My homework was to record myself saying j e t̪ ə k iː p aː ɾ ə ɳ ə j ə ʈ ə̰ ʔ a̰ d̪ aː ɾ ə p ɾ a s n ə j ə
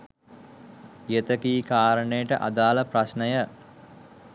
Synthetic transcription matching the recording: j e t̪ ə k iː k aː ɾ ə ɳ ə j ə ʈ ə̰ ʔ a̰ d̪ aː l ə p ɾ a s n ə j ə